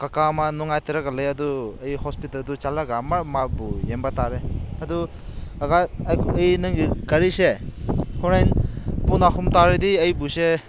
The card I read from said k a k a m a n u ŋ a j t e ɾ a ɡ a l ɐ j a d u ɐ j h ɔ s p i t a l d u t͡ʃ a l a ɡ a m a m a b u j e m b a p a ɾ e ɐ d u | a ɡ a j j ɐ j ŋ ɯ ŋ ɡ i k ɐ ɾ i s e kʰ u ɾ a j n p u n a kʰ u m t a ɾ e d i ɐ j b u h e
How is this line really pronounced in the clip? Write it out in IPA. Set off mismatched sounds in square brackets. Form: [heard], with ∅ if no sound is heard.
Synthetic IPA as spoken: k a k a m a n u ŋ a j t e ɾ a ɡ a l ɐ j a d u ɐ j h ɔ s p i t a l d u t͡ʃ a l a ɡ a m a m a b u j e m b a [t] a ɾ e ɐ d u | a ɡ a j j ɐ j [n] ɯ ŋ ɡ i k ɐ ɾ i s e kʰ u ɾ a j n p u n a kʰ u m t a ɾ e d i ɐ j b u [s] e

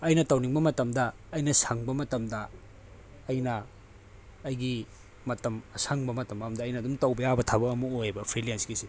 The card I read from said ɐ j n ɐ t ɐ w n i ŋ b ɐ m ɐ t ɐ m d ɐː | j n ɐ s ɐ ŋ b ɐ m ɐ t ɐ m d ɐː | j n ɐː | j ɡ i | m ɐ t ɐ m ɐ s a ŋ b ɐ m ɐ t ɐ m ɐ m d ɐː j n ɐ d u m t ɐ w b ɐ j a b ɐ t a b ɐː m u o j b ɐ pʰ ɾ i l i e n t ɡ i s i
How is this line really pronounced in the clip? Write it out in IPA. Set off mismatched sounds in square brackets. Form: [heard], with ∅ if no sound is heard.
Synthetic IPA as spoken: ɐ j n ɐ t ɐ w n i ŋ b ɐ m ɐ t ɐ m d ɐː | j n ɐ s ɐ ŋ b ɐ m ɐ t ɐ m d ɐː | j n ɐː | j ɡ i | m ɐ t ɐ m ɐ s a ŋ b ɐ m ɐ t ɐ m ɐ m d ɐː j n ɐ d u m t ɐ w b ɐ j a b ɐ [tʰ] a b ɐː m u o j b ɐ pʰ ɾ i l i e n [s] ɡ i s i

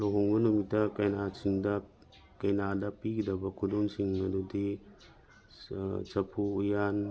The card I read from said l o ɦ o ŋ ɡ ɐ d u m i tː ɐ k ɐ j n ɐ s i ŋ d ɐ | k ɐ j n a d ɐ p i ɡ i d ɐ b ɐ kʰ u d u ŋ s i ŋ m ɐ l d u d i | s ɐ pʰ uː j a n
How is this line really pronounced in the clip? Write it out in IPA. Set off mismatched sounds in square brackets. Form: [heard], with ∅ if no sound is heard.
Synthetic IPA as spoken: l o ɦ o ŋ [b] ɐ [n] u m i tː ɐ k ɐ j n [a] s i ŋ d ɐ | k ɐ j n a d ɐ p i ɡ i d ɐ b ɐ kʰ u d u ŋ s i ŋ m ɐ [∅] d u d i | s ɐ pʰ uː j a n

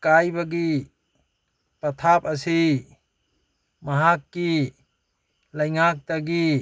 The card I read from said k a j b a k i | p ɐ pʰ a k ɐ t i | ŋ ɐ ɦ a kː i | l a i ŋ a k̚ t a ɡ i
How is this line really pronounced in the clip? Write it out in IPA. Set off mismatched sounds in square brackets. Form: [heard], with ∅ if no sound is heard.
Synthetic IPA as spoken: k a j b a [ɡ] i | p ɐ [tʰ] a [p] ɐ [s] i | [m] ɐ ɦ a kː i | l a [j] ŋ a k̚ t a ɡ i

